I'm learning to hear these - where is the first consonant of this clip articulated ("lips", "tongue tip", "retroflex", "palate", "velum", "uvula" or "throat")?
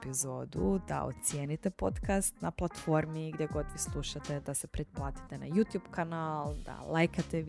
lips